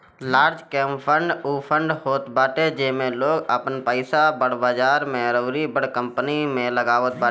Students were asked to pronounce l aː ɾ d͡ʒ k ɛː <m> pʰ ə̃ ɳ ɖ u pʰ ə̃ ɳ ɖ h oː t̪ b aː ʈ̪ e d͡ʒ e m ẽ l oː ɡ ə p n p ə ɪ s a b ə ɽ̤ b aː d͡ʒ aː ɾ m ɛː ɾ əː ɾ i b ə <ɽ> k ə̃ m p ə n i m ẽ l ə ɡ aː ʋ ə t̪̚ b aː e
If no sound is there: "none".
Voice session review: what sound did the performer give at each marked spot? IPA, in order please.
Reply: m, ɽ

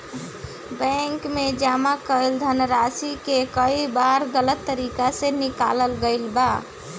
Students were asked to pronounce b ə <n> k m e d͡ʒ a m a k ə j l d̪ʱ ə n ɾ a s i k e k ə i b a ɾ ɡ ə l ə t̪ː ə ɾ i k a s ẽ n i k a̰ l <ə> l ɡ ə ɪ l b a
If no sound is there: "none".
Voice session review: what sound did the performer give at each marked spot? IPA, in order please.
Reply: ŋ, ə

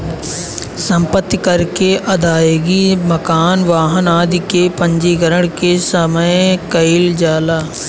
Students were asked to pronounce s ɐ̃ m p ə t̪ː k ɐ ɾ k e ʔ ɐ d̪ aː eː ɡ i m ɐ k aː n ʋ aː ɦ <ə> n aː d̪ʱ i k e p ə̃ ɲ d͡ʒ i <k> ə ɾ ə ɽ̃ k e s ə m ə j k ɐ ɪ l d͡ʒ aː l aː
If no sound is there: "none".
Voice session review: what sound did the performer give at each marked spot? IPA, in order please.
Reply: ə, ɡ

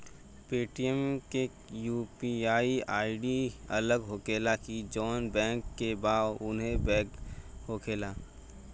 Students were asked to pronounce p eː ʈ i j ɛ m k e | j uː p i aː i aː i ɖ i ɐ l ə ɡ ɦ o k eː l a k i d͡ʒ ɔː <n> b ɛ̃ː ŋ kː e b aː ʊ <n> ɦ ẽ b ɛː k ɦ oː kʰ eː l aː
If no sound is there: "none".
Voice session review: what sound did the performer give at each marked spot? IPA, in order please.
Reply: n, n

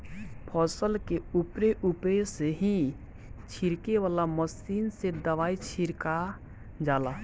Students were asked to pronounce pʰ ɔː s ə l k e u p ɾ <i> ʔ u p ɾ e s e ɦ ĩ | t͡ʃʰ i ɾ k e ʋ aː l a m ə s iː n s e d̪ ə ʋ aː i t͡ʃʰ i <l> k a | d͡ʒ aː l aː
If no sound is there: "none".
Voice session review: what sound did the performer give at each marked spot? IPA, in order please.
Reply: e, ɾ

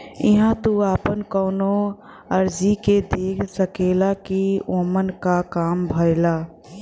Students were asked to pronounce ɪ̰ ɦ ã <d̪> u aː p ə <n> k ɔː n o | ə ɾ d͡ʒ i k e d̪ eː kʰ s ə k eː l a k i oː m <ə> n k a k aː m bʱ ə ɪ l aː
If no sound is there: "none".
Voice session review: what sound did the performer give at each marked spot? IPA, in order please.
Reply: t̪, n, ə

